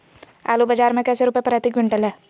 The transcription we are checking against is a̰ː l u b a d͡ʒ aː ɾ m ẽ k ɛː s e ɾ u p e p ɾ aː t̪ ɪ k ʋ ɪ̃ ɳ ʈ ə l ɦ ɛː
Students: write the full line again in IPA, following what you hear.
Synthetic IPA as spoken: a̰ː l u b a d͡ʒ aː ɾ m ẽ k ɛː s e ɾ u p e p ɾ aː t̪ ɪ k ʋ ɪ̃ ɳ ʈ ə l ɦ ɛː